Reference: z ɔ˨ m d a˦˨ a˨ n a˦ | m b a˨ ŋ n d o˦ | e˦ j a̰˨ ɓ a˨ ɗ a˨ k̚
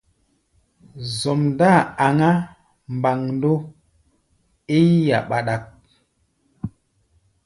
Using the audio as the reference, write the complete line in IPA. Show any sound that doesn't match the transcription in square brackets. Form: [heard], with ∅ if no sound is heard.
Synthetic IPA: z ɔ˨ m d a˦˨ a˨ [ŋ] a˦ | m b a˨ ŋ n d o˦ | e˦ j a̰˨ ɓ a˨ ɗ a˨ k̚